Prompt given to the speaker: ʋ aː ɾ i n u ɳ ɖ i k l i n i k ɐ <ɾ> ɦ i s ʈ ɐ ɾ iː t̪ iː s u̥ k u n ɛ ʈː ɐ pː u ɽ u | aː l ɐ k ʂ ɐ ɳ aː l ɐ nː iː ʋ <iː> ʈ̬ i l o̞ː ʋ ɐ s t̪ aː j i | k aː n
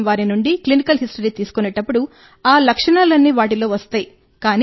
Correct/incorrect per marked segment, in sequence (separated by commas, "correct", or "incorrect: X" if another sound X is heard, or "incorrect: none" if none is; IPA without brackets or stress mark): incorrect: l, incorrect: aː